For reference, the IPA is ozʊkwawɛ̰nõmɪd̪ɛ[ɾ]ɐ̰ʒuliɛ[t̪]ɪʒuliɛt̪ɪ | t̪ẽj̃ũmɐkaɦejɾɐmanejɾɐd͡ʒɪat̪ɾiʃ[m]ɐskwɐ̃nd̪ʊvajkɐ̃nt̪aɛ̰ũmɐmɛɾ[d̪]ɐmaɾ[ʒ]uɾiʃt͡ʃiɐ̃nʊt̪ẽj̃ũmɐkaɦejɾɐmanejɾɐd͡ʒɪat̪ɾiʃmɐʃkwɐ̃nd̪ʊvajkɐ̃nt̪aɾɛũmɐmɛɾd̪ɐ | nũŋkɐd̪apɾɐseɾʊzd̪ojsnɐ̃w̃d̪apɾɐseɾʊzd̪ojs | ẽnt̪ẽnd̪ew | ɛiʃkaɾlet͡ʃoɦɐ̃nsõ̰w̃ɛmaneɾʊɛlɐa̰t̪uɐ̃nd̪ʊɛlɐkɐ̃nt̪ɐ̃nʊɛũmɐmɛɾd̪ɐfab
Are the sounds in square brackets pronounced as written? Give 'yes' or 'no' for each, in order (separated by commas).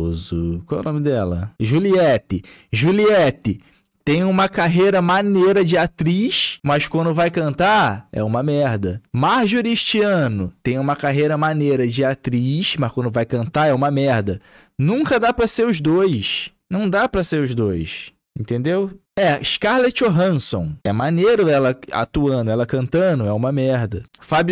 no, yes, yes, yes, yes